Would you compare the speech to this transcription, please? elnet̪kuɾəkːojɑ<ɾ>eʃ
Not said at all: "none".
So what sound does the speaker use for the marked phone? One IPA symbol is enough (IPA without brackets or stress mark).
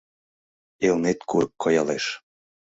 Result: l